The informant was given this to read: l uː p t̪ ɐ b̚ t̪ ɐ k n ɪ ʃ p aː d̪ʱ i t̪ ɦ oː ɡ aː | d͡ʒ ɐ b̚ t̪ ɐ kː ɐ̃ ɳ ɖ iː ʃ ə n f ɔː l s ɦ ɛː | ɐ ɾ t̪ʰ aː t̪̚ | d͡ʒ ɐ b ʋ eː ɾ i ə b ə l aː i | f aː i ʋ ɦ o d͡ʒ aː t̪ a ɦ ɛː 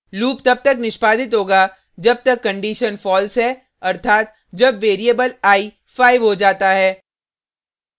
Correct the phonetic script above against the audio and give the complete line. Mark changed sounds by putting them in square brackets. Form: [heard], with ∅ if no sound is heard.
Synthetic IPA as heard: l uː p t̪ ɐ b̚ t̪ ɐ k n ɪ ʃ p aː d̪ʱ [ɪ] t̪ ɦ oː ɡ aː | d͡ʒ ɐ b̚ t̪ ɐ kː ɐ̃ ɳ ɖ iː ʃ ə n f ɔː l s ɦ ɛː | ɐ ɾ t̪ʰ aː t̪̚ | d͡ʒ ɐ b ʋ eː ɾ i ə b ə l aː i | f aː [ɪ] ʋ ɦ o d͡ʒ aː t̪ a ɦ ɛː